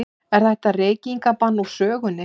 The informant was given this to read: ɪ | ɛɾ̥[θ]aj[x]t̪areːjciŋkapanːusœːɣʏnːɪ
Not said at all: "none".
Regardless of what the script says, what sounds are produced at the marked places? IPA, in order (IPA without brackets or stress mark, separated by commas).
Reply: θ, h